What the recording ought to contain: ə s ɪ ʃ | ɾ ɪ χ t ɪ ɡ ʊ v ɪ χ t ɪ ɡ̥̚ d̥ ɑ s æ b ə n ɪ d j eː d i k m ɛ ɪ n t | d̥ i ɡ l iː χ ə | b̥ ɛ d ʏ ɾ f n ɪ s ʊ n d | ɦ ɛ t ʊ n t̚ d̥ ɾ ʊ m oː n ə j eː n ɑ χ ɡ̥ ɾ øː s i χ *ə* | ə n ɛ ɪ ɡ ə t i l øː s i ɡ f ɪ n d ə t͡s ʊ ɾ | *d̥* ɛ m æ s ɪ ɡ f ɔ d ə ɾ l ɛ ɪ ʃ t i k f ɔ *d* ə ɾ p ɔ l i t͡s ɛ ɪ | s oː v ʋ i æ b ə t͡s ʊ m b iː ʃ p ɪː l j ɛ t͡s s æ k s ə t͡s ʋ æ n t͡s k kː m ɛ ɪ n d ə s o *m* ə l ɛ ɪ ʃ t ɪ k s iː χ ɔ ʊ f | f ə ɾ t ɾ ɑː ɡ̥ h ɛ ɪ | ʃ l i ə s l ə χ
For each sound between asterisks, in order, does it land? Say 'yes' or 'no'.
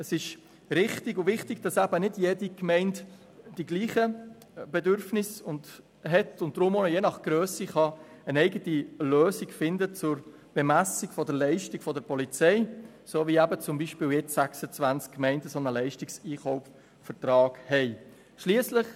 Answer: no, no, yes, no

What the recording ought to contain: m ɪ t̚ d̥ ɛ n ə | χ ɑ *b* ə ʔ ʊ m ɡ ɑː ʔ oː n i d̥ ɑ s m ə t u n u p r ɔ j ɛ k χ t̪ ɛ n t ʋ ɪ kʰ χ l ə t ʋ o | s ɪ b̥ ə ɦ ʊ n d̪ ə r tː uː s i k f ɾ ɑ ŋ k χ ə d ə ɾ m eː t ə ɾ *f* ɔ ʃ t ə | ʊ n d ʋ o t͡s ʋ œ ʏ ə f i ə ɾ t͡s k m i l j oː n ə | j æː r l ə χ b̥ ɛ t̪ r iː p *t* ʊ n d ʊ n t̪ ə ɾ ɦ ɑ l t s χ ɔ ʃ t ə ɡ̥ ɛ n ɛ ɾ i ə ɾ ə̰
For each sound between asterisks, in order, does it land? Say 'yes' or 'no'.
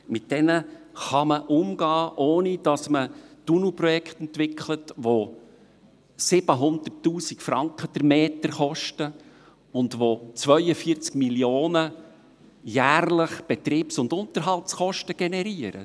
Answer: no, no, no

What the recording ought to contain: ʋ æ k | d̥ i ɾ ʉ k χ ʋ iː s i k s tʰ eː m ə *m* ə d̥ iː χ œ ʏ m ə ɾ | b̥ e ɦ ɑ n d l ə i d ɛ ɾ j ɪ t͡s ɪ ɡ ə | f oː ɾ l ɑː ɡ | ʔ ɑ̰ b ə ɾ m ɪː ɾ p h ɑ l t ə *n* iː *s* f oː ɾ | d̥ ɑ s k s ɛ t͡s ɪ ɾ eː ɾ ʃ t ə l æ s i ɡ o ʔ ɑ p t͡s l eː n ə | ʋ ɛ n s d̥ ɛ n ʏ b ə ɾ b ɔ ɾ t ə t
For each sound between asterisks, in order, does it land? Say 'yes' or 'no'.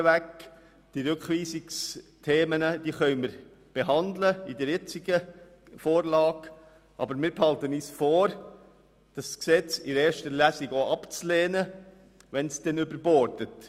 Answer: no, yes, yes

